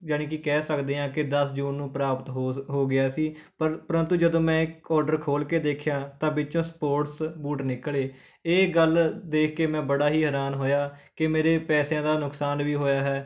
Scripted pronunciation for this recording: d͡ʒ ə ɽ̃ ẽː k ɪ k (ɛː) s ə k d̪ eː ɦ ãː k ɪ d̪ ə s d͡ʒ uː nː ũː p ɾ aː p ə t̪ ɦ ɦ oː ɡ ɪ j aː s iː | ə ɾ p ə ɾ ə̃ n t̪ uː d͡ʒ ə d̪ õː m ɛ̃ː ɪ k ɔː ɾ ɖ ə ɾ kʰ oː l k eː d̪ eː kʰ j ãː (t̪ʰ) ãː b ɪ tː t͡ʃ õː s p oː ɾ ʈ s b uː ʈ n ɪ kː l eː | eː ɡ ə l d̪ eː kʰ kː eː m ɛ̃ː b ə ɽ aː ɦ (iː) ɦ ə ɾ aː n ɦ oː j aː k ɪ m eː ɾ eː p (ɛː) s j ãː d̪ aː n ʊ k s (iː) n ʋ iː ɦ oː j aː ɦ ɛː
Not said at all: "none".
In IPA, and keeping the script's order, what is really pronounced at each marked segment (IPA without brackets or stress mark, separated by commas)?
ɛː, t̪, iː, ɛː, aː